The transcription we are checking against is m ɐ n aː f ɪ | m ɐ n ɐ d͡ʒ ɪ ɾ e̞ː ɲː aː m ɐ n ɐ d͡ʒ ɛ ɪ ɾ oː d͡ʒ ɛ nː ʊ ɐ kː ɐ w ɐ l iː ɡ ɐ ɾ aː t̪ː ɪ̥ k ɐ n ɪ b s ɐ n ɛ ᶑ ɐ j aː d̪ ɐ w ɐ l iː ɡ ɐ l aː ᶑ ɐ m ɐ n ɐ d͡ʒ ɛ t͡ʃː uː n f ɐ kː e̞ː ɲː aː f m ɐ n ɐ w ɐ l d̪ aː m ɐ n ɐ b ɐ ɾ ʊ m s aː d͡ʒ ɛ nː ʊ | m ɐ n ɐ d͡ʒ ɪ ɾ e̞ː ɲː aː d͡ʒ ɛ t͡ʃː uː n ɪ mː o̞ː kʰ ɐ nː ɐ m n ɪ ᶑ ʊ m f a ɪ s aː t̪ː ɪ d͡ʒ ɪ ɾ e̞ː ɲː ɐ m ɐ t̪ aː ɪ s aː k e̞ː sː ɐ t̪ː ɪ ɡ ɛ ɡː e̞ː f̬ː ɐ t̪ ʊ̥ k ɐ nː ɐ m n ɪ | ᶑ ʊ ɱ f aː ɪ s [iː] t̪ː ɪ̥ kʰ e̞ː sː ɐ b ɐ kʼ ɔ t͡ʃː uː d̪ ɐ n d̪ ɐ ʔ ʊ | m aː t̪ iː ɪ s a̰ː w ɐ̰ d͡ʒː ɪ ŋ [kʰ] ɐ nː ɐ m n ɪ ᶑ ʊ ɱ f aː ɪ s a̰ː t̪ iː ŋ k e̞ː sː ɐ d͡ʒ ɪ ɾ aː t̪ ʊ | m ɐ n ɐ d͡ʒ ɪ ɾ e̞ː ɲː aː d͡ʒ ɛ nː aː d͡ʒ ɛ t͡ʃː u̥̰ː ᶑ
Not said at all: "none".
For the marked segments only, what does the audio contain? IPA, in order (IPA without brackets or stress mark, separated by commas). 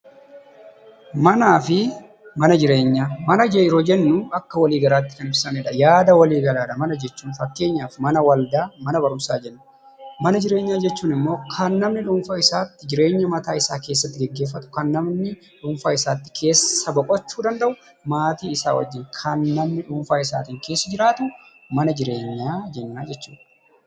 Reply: aː, kʰ